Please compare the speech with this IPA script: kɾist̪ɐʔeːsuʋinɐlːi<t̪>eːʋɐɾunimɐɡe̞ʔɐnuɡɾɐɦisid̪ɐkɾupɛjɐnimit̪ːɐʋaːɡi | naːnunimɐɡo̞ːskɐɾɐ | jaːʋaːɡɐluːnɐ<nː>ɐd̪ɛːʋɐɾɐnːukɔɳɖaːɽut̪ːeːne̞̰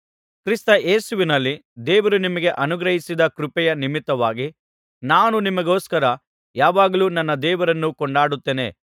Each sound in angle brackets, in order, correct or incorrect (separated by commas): incorrect, correct